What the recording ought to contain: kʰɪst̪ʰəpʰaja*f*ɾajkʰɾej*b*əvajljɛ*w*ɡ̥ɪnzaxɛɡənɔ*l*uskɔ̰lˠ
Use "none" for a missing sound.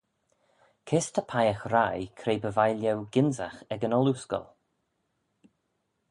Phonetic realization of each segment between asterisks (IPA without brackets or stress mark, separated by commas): x, b, w, l